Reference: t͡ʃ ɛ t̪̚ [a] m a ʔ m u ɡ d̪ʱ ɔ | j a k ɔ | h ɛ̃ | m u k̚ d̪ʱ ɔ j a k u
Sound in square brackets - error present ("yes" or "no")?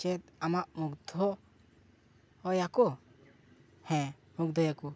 no